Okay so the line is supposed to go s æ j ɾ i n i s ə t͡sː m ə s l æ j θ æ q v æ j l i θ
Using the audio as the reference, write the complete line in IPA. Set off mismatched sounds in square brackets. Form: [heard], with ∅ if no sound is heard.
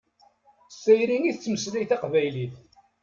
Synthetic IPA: s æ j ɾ i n i [θ] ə t͡sː m ə s l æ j θ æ q v æ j l i θ